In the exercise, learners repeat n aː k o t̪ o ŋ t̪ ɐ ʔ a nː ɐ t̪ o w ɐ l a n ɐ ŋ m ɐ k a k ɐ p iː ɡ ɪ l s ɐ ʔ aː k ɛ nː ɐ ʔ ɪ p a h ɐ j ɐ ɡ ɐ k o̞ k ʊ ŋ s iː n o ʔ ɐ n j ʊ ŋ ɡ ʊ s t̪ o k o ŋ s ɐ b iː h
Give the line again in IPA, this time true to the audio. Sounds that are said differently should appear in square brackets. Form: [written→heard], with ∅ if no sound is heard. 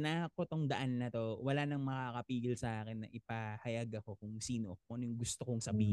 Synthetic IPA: n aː k o t̪ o ŋ [t̪→d̪] ɐ ʔ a nː ɐ t̪ o w ɐ l a n ɐ ŋ m ɐ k a k ɐ p iː ɡ ɪ l s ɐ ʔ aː k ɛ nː ɐ ʔ ɪ p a h ɐ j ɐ ɡ ɐ k o̞ k ʊ ŋ s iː n o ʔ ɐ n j ʊ ŋ ɡ ʊ s t̪ o k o ŋ s ɐ b iː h